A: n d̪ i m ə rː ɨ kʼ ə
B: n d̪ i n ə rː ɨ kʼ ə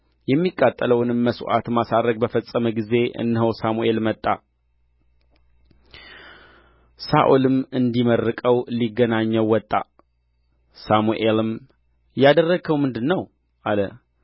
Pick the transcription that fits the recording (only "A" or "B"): A